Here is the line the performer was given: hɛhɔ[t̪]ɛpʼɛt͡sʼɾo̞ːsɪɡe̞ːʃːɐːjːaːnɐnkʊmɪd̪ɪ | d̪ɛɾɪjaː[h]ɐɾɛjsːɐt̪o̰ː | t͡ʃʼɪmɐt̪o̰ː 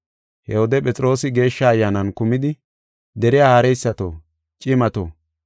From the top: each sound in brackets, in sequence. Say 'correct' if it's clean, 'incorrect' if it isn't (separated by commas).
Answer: incorrect, correct